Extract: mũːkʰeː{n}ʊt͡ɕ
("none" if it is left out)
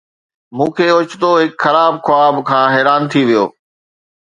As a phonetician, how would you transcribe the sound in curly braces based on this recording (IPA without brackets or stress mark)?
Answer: none